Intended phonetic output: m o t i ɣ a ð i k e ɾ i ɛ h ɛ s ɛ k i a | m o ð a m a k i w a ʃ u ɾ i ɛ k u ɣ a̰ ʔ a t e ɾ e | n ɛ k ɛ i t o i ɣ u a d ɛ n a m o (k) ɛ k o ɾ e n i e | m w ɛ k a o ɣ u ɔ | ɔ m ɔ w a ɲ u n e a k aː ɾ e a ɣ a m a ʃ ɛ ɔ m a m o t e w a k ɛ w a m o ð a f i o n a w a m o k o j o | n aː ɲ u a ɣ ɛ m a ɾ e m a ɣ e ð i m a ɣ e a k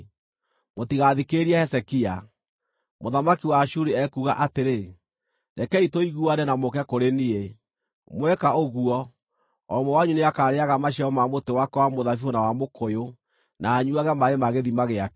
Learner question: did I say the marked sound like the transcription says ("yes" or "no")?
yes